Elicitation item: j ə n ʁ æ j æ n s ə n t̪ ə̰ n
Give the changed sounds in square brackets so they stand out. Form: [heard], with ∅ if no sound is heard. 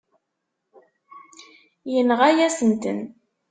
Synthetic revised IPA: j ə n ʁ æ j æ [∅] s ə n t̪ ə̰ n